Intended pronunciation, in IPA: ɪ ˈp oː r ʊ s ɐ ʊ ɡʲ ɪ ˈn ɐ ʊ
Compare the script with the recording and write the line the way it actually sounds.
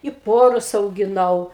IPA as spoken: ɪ ˈp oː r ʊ s ɐ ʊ ɡʲ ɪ ˈn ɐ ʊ